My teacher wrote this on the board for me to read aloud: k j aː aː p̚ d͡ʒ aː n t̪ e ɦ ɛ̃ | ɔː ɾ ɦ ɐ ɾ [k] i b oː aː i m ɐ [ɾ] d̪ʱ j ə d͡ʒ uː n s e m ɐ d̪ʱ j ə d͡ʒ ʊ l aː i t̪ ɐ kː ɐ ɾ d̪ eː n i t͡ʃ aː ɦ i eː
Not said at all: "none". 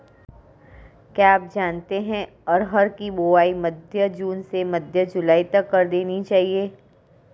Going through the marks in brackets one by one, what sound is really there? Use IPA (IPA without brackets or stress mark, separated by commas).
k, none